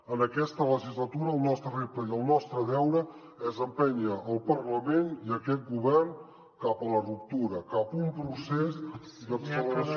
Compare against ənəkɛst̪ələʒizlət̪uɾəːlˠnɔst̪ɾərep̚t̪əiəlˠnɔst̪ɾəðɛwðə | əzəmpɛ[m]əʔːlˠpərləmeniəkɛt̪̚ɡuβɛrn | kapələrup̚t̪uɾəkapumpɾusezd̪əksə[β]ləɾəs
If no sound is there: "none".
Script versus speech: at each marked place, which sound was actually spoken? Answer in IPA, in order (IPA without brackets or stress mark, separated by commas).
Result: ɲ, none